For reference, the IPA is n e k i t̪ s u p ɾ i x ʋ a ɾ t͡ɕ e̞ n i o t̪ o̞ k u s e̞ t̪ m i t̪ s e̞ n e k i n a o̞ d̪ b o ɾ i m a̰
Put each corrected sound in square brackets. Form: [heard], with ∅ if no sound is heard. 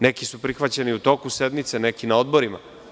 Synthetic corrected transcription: n e k i [∅] s u p ɾ i x ʋ a [∅] t͡ɕ e̞ n i [u] t̪ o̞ k u s e̞ [d̪] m i t̪ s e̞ n e k i n a o̞ d̪ b o ɾ i m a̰